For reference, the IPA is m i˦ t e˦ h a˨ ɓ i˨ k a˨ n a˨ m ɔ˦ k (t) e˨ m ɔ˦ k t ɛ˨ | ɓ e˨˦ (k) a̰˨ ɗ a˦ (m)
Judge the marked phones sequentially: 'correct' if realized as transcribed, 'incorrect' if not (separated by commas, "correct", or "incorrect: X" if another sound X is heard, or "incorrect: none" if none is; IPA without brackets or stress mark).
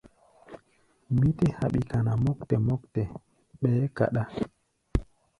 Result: correct, correct, incorrect: none